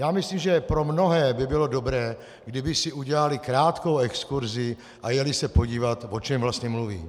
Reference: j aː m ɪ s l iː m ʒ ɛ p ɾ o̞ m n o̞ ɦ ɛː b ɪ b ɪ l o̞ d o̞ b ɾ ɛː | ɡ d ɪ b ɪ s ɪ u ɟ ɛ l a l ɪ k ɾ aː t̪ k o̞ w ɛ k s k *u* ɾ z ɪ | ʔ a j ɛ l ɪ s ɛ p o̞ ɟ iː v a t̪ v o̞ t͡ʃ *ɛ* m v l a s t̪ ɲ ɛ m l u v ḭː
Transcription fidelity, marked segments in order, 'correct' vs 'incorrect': correct, correct

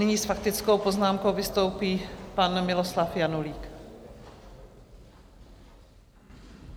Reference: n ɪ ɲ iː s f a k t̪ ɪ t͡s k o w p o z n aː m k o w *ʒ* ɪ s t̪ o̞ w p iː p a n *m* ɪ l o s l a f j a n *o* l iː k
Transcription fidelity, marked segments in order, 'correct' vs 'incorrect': incorrect, correct, incorrect

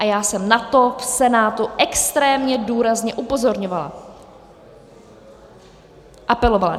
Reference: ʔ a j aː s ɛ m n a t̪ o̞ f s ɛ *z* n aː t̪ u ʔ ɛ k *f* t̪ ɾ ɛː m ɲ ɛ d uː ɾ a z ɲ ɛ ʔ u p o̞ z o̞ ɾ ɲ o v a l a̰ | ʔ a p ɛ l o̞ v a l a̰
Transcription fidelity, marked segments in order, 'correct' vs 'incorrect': incorrect, incorrect

